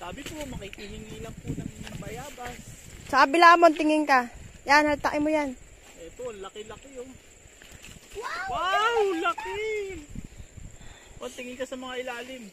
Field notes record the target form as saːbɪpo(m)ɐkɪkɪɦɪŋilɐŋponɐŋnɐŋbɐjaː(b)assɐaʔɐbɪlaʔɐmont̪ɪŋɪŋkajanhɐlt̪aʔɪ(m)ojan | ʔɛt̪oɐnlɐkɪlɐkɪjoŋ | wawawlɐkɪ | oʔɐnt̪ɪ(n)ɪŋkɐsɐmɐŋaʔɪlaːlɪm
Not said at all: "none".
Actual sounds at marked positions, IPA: m, b, m, ŋ

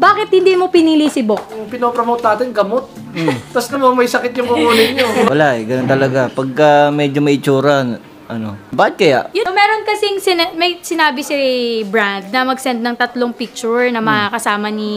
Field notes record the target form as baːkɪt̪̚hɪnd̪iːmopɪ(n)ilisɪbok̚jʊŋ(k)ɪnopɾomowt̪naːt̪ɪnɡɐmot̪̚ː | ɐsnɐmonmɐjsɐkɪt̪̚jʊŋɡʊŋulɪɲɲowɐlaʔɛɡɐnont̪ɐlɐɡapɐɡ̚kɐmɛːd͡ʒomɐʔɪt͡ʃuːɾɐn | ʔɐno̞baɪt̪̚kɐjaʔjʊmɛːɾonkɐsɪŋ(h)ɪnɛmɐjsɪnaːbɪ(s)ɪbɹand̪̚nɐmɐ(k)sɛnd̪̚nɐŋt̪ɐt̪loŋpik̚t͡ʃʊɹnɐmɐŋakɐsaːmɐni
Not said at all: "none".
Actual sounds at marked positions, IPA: n, p, s, s, ɡ

